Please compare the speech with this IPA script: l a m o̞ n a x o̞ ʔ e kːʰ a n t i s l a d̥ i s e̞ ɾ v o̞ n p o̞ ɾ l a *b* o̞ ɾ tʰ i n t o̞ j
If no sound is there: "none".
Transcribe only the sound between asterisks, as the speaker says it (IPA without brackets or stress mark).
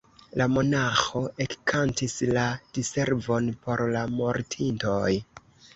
m